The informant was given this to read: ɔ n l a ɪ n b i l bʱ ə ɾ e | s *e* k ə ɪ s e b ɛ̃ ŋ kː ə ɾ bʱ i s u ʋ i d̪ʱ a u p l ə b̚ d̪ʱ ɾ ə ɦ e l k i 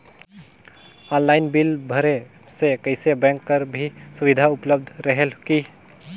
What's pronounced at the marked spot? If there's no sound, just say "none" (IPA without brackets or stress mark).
e